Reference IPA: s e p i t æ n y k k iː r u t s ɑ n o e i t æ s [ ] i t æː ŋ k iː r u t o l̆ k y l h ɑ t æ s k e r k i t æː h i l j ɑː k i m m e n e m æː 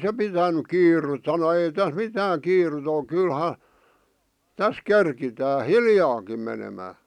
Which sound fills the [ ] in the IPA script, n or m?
m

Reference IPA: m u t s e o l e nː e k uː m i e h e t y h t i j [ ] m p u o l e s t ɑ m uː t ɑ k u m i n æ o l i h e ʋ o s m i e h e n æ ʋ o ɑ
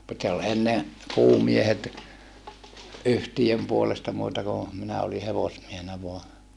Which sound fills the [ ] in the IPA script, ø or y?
ø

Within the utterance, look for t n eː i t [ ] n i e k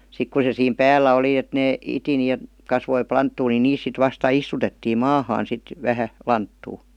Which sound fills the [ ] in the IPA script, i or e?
i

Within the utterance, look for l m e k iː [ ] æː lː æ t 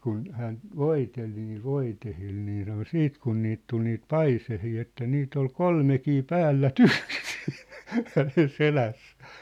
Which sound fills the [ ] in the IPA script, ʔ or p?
p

